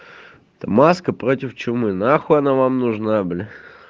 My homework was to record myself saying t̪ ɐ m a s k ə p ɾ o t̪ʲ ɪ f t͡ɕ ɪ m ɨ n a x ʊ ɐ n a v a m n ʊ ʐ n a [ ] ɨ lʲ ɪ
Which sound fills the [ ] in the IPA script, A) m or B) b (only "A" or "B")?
B